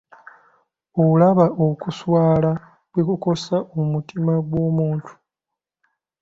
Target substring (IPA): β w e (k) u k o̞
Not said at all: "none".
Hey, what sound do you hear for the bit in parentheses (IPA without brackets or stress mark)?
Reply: k